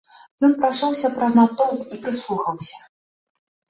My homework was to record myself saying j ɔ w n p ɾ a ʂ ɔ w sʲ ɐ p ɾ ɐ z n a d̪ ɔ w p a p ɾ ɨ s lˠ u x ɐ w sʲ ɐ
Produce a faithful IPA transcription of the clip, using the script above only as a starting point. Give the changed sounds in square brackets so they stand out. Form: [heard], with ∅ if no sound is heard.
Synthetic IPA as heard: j ɔ [∅] n p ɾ a ʂ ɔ w sʲ ɐ p ɾ ɐ z n a [t̪] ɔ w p [i] p ɾ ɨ s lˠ u x ɐ w sʲ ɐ